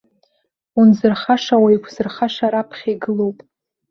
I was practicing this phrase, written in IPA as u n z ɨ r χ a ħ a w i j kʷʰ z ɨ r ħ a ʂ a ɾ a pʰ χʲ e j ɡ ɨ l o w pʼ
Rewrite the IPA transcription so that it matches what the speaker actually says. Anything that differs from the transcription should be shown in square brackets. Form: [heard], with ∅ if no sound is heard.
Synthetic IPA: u n z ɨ r χ a [ʂ] a w [a] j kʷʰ z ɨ r [χ] a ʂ a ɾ a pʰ χʲ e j ɡ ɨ l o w pʼ

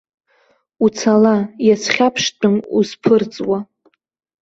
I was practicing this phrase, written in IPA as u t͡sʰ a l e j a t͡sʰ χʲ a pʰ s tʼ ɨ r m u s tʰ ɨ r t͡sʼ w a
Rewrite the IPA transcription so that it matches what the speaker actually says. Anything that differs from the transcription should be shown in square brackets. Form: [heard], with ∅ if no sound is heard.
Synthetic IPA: u t͡sʰ a l [a] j a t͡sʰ χʲ a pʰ [ʂ] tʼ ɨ [∅] m u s [pʰ] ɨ r t͡sʼ w a

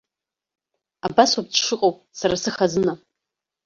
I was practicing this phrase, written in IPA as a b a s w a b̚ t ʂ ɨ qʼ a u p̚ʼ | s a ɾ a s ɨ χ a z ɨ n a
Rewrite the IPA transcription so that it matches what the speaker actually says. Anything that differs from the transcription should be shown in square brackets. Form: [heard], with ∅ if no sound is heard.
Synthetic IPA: a b a s w a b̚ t ʂ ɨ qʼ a [w] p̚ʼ | s a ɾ a s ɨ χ a z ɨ n a

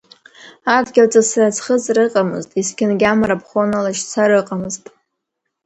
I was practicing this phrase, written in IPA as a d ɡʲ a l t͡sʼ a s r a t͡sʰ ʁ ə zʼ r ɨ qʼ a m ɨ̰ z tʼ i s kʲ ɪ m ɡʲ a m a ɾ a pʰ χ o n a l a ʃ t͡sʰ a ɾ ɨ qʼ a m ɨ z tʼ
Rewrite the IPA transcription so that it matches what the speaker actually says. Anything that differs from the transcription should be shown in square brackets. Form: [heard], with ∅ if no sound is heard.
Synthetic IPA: a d ɡʲ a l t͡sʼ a s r a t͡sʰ [χ] ə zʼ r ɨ qʼ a m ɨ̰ z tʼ i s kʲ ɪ [n] ɡʲ a m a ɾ a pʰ χ o n a l a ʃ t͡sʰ a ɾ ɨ qʼ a m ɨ z tʼ

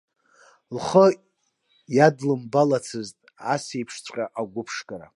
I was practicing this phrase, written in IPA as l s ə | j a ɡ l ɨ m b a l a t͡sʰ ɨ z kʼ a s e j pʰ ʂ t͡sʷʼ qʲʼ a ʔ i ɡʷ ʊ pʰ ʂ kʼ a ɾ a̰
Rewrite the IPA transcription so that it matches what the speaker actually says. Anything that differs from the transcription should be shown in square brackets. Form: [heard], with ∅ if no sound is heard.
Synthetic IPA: l [χ] ə | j a [d] l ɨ m b a l a t͡sʰ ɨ z [tʼ] a s e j pʰ ʂ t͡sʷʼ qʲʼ a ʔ [a] ɡʷ ʊ pʰ ʂ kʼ a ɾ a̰

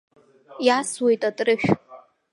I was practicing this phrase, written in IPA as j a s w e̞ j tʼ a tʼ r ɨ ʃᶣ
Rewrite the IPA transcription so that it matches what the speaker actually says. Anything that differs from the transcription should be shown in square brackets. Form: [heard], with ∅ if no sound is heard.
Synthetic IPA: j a s w e̞ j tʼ a tʼ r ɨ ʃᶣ

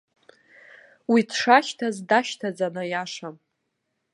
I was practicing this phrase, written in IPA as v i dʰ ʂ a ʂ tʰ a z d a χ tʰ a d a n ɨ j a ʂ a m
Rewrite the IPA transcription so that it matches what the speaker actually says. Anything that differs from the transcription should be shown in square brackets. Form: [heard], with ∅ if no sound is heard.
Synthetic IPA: [w] i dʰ ʂ a [ʃ] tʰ a z d a [ʃ] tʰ a [d͡z] a n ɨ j a ʂ a m

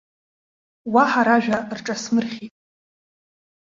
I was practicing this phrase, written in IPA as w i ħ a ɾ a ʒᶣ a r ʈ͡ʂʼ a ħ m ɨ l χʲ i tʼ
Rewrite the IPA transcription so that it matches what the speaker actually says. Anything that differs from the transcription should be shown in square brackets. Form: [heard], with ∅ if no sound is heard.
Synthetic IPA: w [a] ħ a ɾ a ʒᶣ a r ʈ͡ʂʼ a [s] m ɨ [r] χʲ i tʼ

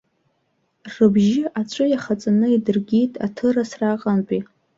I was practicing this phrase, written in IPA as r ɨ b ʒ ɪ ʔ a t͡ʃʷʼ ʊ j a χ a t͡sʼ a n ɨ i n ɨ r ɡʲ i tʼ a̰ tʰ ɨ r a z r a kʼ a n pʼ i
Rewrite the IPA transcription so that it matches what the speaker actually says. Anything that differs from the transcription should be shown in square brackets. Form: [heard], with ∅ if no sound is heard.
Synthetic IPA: r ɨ b ʒ ɪ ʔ a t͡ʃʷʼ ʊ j a χ a t͡sʼ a n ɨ i [d] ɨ r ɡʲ i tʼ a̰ tʰ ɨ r a [s] r a [qʼ] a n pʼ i

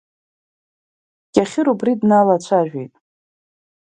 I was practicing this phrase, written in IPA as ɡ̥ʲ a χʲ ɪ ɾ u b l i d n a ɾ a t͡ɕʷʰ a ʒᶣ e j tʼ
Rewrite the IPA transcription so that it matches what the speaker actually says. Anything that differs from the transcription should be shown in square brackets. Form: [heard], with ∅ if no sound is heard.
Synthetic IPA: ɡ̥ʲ a χʲ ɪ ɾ u b [r] i d n a [l] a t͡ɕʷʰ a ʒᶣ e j tʼ

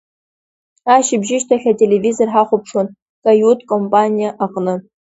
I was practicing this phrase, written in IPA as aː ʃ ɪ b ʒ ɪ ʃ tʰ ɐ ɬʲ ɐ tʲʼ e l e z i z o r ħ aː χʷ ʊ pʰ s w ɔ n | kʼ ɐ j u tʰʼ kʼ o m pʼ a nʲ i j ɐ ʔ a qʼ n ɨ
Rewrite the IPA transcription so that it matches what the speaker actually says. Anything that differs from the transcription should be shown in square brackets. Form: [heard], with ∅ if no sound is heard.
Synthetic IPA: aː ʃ ɪ b ʒ ɪ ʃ tʰ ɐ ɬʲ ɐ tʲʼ e l e [v] i z o r ħ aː χʷ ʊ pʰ [ʂ] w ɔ n | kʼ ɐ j u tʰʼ kʼ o m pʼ a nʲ i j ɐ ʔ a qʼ n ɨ

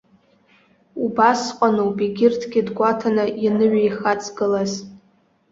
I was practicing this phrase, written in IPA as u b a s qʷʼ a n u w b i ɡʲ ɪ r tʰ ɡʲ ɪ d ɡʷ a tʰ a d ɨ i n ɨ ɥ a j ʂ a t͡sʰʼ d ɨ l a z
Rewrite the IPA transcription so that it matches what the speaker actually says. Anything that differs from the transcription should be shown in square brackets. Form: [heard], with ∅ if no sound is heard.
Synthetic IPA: u b a s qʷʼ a n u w b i ɡʲ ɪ r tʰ ɡʲ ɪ d ɡʷ a tʰ a [n] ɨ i n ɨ ɥ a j [χ] a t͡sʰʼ [ɡ] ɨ l a z

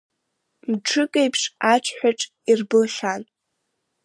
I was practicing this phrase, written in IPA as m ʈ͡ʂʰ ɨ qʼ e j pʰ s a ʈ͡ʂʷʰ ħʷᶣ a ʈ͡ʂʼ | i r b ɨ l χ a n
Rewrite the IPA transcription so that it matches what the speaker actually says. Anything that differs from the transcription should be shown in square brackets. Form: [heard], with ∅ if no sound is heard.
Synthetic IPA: m ʈ͡ʂʰ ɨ [kʼ] e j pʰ [ʂ] a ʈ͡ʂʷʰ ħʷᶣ a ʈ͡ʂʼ | i r b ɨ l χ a n

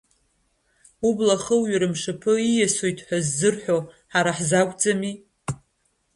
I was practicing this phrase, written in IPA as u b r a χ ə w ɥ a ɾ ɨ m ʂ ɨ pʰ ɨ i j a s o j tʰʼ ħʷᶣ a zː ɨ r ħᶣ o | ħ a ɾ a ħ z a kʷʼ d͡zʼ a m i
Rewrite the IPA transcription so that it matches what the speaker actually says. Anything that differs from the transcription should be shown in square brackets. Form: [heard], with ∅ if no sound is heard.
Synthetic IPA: u b [l] a χ ə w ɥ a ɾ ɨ m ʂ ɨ pʰ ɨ i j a s o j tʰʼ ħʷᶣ a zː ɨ r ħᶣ o | ħ a ɾ a ħ z a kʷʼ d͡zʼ a m i

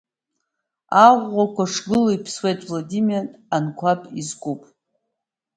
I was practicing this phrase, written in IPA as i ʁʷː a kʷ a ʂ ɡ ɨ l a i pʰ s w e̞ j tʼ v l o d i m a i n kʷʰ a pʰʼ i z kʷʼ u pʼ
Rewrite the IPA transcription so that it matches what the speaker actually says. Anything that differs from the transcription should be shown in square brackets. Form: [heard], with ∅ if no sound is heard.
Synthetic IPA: [a] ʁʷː a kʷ a ʂ ɡ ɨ l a i pʰ s w e̞ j tʼ v l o d i m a [a] n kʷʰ a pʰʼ i z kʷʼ u pʼ

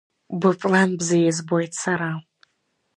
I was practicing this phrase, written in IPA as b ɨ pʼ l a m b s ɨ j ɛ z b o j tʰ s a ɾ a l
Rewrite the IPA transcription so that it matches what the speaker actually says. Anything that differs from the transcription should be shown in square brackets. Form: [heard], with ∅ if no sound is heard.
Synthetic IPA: b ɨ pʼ l a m b [z] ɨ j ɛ z b o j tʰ s a ɾ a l

